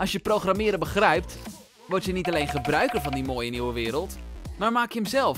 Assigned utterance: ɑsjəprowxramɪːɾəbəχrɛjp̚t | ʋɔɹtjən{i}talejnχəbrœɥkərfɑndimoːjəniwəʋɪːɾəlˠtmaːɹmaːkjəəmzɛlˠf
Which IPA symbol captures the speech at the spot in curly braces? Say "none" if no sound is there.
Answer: i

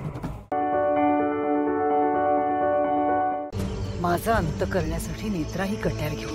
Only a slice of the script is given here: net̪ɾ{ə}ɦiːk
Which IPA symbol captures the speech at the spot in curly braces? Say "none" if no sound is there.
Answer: a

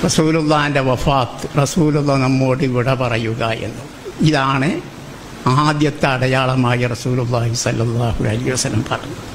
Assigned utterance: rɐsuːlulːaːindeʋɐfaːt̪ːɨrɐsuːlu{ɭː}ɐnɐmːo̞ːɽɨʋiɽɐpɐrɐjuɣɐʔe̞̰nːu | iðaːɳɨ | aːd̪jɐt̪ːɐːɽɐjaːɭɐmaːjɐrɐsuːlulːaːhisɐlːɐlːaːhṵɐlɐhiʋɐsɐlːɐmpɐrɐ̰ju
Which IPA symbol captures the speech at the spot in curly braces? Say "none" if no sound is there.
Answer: lː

